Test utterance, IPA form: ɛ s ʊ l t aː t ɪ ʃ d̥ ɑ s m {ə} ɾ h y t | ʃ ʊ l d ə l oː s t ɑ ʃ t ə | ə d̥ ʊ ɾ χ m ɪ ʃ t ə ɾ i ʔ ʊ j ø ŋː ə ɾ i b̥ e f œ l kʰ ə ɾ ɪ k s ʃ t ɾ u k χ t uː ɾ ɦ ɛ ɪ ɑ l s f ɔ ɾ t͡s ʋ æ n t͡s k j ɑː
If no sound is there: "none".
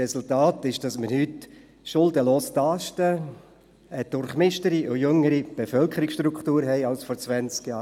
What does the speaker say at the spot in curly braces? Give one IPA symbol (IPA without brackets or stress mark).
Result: ə